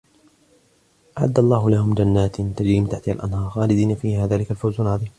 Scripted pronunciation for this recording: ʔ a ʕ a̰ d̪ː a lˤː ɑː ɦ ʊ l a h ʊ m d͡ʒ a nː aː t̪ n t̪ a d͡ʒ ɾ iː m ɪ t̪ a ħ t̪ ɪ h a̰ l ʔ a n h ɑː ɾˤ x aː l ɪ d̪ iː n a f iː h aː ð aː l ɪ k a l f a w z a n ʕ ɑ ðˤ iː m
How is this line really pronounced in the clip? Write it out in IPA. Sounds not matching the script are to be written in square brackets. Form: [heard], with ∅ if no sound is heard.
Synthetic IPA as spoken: ʔ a ʕ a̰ d̪ː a lˤː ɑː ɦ ʊ l a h ʊ m d͡ʒ a nː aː t̪ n t̪ a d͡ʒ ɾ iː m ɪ t̪ a ħ t̪ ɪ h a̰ l ʔ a n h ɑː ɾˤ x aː l ɪ d̪ iː n a f iː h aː ð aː l ɪ k a l f a w z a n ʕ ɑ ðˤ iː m